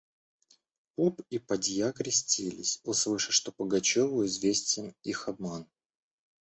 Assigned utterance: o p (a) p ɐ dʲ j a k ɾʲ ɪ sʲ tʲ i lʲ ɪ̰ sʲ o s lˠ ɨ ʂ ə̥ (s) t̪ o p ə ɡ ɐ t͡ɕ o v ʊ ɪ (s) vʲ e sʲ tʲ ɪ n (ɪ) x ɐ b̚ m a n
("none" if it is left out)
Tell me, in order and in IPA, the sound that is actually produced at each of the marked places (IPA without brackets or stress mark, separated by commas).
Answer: i, ʂ, z, i